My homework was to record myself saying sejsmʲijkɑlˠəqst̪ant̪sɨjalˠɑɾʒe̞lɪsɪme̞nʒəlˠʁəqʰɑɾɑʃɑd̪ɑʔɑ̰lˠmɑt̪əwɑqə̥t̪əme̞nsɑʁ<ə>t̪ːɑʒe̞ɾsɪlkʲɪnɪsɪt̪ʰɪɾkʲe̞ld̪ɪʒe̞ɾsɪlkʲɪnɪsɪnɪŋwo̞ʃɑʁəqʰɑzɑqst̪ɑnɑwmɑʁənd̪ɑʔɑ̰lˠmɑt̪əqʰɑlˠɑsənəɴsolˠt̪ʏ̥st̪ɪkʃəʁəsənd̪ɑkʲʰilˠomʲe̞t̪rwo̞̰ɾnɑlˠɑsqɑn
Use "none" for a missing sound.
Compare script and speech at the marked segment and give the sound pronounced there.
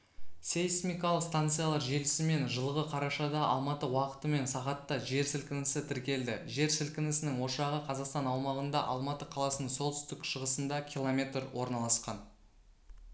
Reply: ɑ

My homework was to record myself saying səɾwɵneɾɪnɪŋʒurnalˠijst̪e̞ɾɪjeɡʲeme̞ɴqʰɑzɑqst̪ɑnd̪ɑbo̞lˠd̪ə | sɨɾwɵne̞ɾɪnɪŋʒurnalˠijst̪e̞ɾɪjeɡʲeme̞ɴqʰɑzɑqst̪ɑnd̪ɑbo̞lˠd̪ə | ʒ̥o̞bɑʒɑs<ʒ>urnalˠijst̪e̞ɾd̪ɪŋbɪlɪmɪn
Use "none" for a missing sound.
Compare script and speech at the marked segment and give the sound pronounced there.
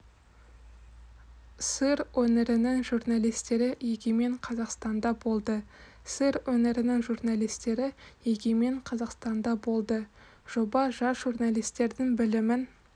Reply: ʒ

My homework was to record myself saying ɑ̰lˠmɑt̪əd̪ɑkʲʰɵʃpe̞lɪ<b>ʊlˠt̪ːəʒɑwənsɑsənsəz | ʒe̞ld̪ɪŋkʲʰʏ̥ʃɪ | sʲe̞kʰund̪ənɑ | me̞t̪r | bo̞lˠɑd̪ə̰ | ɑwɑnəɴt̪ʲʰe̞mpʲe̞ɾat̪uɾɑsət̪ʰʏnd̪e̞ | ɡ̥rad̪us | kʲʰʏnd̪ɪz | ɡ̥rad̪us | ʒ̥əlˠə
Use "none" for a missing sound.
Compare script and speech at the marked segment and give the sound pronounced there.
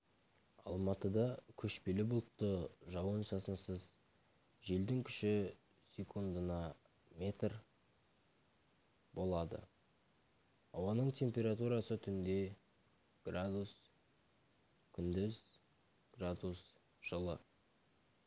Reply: b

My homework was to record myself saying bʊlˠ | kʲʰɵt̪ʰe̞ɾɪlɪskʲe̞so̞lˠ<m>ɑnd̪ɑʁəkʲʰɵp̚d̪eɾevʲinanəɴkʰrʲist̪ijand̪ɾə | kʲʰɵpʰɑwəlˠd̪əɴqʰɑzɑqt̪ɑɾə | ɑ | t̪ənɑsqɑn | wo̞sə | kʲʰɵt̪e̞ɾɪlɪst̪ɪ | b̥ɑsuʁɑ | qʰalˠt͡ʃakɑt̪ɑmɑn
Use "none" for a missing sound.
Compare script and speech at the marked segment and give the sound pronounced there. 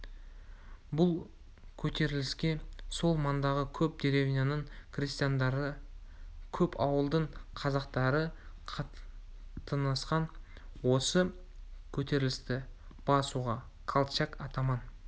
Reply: m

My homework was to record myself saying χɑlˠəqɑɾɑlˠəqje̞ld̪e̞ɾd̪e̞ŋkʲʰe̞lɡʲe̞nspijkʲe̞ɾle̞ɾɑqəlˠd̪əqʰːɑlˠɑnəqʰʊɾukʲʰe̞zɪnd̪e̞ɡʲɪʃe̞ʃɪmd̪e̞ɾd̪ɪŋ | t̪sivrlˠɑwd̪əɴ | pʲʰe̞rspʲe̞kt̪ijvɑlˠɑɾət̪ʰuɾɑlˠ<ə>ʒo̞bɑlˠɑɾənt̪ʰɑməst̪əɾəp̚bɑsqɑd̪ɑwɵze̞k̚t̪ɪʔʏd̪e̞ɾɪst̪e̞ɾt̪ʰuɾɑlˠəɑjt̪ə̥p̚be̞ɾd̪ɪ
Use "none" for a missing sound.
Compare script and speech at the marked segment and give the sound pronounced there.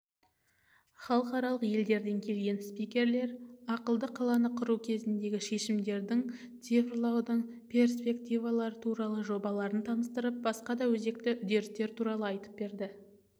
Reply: ə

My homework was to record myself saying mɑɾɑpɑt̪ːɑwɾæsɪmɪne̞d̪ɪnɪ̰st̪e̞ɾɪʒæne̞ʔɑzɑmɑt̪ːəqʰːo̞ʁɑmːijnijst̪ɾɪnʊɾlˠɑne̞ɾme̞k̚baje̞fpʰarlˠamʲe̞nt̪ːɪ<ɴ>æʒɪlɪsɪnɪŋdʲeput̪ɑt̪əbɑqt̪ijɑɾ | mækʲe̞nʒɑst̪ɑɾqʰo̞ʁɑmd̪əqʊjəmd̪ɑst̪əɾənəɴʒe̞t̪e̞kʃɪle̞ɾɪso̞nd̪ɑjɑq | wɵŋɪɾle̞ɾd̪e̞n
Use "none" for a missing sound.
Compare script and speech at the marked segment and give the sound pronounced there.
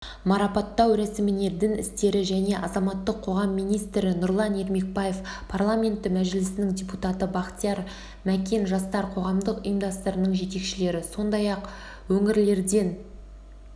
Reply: m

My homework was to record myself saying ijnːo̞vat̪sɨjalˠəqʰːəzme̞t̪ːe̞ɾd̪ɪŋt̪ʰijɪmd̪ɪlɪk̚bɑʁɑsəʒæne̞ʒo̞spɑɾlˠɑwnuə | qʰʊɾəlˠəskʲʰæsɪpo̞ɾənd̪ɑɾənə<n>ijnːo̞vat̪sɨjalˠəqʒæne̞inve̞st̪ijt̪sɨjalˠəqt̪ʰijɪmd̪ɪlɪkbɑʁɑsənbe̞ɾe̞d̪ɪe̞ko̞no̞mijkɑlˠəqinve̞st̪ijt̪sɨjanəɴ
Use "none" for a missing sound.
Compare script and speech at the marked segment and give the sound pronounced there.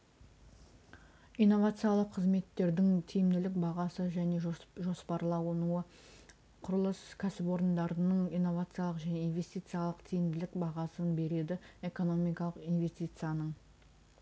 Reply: ɴ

